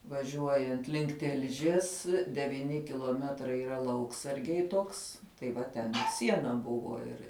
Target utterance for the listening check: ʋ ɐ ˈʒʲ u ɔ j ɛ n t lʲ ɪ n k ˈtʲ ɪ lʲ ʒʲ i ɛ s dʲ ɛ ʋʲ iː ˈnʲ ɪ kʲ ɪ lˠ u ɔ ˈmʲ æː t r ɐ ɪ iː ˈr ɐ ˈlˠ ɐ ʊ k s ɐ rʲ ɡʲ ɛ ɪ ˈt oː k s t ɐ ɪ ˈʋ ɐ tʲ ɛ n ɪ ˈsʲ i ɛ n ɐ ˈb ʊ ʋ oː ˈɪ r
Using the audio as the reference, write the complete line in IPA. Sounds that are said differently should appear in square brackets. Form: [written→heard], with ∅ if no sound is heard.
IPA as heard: ʋ ɐ ˈʒʲ u ɔ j ɛ n t lʲ ɪ [n→ŋ] k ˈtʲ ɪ lʲ ʒʲ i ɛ s dʲ ɛ ʋʲ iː ˈnʲ ɪ kʲ ɪ lˠ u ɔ ˈmʲ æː t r ɐ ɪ iː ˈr ɐ ˈlˠ ɐ ʊ k s ɐ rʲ ɡʲ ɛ ɪ ˈt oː k s t ɐ ɪ ˈʋ ɐ tʲ ɛ n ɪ ˈsʲ i ɛ n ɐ ˈb ʊ ʋ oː ˈɪ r